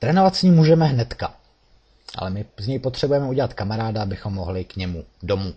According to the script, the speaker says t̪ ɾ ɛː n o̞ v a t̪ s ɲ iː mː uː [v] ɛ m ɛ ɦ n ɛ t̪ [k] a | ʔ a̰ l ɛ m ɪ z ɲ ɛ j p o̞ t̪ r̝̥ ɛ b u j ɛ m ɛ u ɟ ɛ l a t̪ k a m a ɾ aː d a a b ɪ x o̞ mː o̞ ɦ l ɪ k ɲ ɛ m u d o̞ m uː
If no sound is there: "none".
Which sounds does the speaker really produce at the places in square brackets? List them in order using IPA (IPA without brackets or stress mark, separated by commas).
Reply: ʒ, k